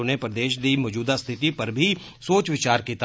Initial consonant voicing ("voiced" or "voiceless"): voiced